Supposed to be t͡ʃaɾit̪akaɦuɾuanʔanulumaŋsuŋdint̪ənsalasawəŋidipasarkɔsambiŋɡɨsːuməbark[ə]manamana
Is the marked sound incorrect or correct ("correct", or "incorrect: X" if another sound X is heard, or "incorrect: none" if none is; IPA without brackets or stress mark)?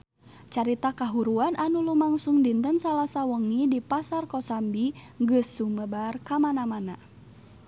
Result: incorrect: a